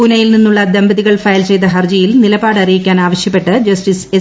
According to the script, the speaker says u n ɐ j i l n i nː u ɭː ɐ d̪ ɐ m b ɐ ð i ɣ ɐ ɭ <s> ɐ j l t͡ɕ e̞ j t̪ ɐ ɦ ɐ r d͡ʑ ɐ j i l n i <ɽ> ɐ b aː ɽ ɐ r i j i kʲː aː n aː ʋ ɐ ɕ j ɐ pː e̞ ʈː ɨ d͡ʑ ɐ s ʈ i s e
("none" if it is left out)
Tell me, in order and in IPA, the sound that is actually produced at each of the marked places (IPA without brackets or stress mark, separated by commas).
f, l